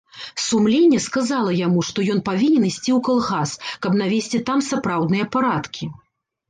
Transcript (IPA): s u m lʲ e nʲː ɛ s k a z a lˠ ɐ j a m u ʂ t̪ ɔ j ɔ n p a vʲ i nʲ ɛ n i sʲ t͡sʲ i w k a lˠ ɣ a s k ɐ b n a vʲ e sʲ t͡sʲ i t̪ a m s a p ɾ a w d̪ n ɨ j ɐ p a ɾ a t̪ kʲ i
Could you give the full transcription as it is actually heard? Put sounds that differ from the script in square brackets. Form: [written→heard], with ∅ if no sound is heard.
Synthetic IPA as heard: s u m lʲ e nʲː ɛ s k a z a lˠ ɐ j a m u ʂ t̪ ɔ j ɔ n p a vʲ i nʲ ɛ n i sʲ t͡sʲ i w k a lˠ ɣ a s k ɐ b n a vʲ e sʲ t͡sʲ i t̪ a m s a p ɾ a w d̪ n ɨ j ɐ p a ɾ a t̪ kʲ i